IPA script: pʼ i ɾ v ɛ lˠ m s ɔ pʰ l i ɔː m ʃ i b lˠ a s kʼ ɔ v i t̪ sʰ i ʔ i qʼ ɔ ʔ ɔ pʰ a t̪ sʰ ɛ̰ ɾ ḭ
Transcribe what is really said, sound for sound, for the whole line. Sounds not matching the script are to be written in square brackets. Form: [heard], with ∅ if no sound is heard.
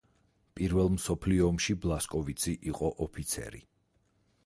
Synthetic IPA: pʼ i ɾ v ɛ lˠ m s ɔ pʰ l i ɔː m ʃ i b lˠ a s kʼ ɔ v i t̪ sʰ i ʔ i qʼ ɔ ʔ ɔ pʰ [i] t̪ sʰ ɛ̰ ɾ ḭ